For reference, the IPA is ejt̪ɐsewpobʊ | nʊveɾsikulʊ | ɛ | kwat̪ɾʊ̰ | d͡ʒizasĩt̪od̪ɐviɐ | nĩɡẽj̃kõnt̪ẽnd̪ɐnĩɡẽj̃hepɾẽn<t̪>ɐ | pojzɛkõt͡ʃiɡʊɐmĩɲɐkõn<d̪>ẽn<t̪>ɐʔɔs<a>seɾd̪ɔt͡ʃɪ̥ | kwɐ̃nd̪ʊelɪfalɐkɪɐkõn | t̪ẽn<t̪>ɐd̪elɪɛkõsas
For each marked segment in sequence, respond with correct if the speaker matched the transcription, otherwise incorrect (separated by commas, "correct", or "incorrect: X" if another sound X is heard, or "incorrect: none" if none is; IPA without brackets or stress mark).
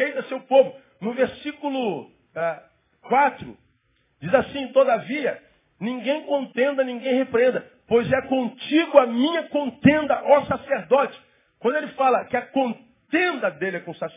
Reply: incorrect: d̪, incorrect: t̪, incorrect: d̪, correct, incorrect: d̪